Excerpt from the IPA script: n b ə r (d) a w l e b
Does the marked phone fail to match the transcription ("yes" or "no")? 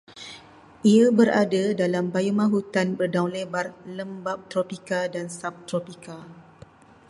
no